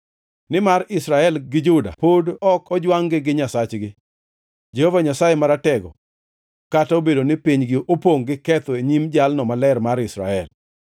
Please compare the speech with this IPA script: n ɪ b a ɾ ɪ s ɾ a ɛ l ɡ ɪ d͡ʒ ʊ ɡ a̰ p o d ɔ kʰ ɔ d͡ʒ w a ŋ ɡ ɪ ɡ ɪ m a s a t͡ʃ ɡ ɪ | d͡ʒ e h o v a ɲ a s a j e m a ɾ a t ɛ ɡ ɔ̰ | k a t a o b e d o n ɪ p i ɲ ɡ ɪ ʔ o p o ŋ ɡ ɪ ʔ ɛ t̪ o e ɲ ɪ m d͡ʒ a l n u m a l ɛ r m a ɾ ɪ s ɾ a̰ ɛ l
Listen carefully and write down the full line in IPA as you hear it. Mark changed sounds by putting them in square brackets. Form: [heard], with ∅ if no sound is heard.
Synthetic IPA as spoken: n ɪ [m] a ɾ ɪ s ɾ a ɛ l ɡ ɪ d͡ʒ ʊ [d] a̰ p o d ɔ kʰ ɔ d͡ʒ w a ŋ ɡ ɪ ɡ ɪ [ɲ] a s a t͡ʃ ɡ ɪ | d͡ʒ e h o v a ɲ a s a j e m a ɾ a t ɛ ɡ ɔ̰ | k a t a o b e d o n ɪ p i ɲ ɡ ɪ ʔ o p o ŋ ɡ ɪ [k] ɛ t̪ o e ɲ [i] m d͡ʒ a l n [ɔ] m a l ɛ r m a ɾ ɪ s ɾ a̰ ɛ l